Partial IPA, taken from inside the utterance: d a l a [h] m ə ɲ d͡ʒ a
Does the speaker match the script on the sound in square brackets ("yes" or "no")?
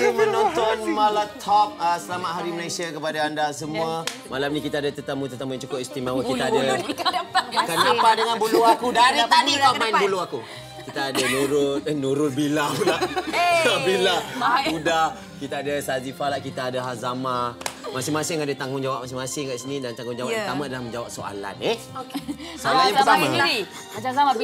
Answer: yes